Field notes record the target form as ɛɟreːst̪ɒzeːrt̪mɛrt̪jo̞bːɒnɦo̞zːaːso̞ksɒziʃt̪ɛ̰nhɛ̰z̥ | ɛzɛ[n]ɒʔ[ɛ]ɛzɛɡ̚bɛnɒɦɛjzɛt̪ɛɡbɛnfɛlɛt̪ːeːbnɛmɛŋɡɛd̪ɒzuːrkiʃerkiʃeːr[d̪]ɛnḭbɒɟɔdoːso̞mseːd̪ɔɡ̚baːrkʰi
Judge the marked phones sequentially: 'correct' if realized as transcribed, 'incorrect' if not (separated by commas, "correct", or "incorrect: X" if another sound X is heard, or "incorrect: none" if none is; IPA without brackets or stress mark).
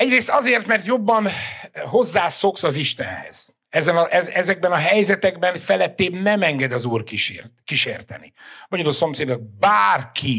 correct, correct, incorrect: t̪